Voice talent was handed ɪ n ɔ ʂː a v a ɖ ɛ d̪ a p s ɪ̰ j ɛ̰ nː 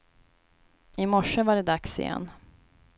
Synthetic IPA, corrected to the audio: ɪ m ɔ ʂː ə v a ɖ ɛ d̪ a k s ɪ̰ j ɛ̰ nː